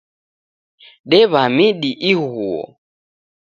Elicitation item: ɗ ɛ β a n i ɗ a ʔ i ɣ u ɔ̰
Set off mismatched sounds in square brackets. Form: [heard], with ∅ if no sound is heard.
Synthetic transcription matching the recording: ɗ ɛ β a [m] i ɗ [i] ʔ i ɣ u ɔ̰

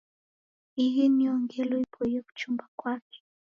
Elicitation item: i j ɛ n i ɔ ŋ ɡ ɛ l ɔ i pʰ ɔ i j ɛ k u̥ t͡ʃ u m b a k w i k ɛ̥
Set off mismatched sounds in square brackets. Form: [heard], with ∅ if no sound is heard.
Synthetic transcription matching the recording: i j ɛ n i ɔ ŋ ɡ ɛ l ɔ i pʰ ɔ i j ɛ k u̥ t͡ʃ u m b a k w [a] k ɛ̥

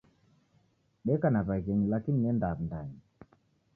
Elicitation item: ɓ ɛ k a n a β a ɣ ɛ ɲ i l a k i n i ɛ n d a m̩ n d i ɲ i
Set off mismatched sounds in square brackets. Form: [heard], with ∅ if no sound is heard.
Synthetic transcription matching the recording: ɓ ɛ k a n a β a ɣ ɛ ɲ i l a k i n i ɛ n d a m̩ n d [a] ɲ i

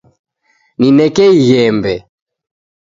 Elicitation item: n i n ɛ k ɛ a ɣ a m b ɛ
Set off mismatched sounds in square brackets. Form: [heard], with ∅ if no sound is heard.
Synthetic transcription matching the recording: n i n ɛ k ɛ [i] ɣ [ɛ] m b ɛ

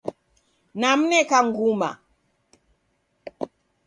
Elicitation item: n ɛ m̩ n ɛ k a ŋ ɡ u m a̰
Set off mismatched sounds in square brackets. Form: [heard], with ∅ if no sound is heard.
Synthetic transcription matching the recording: n [a] m̩ n ɛ k a ŋ ɡ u m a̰

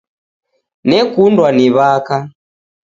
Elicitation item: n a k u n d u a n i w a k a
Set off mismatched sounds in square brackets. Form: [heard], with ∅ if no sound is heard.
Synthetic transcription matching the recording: n [ɛ] k u n d [w] a n i [β] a k a

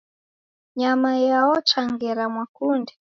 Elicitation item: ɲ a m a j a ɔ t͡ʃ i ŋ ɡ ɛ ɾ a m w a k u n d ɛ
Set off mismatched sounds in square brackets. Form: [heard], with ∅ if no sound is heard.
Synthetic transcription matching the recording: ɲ a m a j a ɔ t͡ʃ [a] ŋ ɡ ɛ ɾ a m w a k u n d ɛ

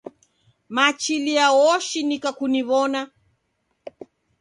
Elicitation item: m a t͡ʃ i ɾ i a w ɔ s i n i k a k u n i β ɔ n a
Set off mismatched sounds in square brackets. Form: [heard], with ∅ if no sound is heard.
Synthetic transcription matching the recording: m a t͡ʃ i [l] i a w ɔ [ʃ] i n i k a k u n i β ɔ n a

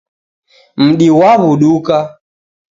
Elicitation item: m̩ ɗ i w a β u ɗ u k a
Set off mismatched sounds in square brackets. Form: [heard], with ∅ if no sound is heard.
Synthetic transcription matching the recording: m̩ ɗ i w a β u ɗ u k a

